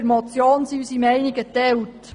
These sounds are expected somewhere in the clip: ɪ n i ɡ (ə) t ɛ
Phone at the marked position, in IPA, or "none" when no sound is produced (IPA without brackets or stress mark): ə